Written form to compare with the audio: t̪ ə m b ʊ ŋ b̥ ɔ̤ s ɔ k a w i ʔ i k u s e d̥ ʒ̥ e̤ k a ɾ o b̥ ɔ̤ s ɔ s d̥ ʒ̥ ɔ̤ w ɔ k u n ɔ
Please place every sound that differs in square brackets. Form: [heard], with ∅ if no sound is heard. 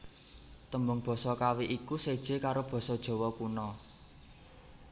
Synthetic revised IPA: t̪ ə m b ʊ ŋ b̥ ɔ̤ s ɔ k a w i ʔ i k u s e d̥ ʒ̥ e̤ k a ɾ o b̥ ɔ̤ s ɔ [∅] d̥ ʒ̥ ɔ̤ w ɔ k u n ɔ